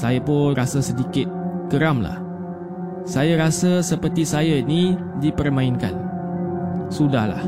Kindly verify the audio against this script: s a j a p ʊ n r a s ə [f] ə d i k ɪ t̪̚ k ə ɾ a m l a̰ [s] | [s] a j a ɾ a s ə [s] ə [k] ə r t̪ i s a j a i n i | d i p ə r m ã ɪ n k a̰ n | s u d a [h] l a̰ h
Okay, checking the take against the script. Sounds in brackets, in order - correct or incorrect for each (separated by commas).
incorrect, incorrect, correct, correct, incorrect, correct